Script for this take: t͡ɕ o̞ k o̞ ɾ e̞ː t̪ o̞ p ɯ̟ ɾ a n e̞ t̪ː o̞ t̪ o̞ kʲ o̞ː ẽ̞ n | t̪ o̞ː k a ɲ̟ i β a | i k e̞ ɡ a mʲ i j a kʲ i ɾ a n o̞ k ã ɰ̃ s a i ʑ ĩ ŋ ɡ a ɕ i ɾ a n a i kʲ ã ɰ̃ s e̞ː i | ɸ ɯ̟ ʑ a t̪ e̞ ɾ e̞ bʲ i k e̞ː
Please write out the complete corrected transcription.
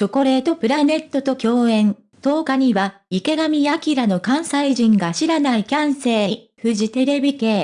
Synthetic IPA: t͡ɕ o̞ k o̞ ɾ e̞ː t̪ o̞ p ɯ̟ ɾ a n e̞ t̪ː o̞ t̪ o̞ kʲ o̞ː ẽ̞ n | t̪ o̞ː k a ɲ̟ i β a | i k e̞ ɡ a mʲ i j a kʲ i ɾ a n o̞ k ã ɰ̃ s a i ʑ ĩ ŋ ɡ a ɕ i ɾ a n a i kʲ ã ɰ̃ s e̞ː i | ɸ ɯ̟ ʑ i t̪ e̞ ɾ e̞ bʲ i k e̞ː